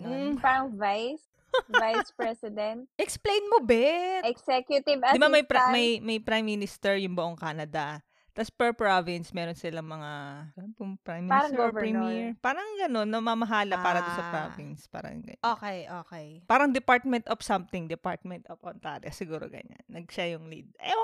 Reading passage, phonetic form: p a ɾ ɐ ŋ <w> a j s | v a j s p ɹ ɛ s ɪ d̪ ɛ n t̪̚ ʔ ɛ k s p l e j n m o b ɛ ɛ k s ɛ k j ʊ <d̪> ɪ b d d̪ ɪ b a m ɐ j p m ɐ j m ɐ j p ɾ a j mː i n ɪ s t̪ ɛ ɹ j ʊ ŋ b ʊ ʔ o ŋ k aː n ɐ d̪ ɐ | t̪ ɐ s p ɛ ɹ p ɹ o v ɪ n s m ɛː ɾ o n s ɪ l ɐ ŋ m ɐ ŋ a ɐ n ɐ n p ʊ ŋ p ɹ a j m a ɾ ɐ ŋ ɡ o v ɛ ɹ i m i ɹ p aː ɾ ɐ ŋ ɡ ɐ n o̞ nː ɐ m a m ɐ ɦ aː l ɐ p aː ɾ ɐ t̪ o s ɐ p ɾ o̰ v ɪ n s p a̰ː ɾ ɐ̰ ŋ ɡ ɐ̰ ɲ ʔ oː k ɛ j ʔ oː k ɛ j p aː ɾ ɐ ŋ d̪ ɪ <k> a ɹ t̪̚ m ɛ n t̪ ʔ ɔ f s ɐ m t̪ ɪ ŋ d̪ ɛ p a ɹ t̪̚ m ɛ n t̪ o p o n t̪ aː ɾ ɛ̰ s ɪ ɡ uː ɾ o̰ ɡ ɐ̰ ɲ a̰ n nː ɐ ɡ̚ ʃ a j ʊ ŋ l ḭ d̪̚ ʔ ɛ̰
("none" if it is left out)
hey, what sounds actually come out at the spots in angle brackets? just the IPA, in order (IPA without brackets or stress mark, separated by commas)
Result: v, t̪, p